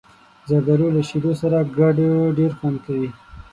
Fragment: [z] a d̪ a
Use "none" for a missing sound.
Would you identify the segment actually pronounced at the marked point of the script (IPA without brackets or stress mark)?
z